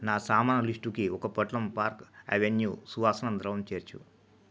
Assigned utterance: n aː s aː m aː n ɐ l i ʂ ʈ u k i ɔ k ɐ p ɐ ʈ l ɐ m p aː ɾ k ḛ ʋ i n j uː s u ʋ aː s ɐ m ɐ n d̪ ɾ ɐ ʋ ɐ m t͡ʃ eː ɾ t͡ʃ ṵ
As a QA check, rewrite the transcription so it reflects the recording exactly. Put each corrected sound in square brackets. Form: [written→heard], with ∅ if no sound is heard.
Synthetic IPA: n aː s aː m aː n ɐ l i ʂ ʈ u k i ɔ k ɐ p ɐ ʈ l ɐ m p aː ɾ k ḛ ʋ [i→e] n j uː s u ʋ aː s ɐ [m→n] ɐ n d̪ ɾ ɐ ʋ ɐ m t͡ʃ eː ɾ t͡ʃ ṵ